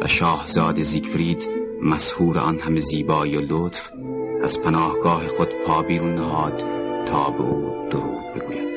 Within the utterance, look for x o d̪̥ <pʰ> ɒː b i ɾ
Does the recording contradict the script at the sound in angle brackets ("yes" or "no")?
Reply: no